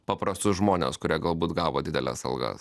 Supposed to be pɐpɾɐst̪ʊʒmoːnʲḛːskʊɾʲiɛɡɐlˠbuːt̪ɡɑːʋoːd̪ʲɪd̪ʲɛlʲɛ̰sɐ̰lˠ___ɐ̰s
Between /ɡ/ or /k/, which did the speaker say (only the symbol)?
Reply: ɡ